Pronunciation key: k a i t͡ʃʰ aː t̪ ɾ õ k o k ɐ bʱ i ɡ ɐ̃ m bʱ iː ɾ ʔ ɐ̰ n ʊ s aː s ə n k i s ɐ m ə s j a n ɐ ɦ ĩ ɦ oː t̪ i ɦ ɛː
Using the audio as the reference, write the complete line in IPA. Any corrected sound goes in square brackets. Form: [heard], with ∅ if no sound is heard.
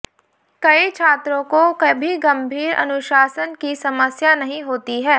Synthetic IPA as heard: k [ɐ] i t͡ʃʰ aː t̪ ɾ õ k o k ɐ bʱ i ɡ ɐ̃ m bʱ iː ɾ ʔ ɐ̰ n ʊ [ʃ] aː s ə n k i s ɐ m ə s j a n ɐ ɦ ĩ ɦ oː t̪ i ɦ ɛː